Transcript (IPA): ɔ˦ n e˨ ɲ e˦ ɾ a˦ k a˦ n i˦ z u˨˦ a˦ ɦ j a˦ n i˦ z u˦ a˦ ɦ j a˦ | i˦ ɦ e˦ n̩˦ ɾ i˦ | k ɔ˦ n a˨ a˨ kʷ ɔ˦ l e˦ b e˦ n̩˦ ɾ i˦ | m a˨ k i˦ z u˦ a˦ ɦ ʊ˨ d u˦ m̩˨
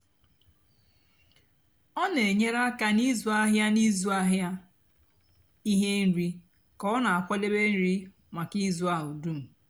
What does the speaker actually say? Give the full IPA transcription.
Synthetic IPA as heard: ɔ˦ n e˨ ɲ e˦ ɾ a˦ k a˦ n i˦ z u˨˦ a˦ ɦ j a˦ n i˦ z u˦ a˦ ɦ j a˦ | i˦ ɦ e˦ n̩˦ ɾ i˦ | k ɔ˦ n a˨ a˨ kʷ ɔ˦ l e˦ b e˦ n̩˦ ɾ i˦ | m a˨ k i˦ z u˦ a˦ ɦ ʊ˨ d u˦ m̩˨

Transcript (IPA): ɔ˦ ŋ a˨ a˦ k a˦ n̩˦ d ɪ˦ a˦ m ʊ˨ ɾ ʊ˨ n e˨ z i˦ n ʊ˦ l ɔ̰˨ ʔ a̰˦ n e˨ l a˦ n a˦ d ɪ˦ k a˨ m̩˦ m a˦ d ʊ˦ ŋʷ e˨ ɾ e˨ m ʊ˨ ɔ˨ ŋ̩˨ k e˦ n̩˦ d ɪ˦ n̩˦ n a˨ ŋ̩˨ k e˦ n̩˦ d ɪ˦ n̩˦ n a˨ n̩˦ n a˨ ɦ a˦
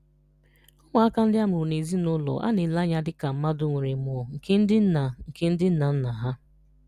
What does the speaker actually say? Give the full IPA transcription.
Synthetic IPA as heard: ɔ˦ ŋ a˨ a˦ k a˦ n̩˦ d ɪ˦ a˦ m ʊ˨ ɾ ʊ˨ n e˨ z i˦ n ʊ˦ l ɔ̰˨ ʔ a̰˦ n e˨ l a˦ ɲ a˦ d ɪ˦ k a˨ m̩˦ m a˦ d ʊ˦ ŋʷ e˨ ɾ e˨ m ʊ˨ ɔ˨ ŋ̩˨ k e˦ n̩˦ d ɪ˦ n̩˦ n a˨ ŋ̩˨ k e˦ n̩˦ d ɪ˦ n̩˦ n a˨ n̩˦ n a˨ ɦ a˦

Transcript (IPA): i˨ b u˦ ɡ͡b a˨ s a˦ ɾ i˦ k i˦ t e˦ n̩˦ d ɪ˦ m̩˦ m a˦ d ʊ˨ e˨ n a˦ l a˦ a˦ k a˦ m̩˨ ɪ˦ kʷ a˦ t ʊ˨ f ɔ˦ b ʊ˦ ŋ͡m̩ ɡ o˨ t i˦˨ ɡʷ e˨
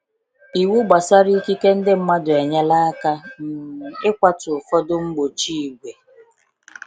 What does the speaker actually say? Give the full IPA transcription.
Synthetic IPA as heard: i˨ w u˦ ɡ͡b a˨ s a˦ ɾ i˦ k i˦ k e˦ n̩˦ d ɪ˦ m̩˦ m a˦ d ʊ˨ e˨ ɲ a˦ l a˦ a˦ k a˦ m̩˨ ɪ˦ kʷ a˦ t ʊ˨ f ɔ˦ d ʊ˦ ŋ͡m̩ ɡ͡b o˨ t͡ʃ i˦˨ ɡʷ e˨

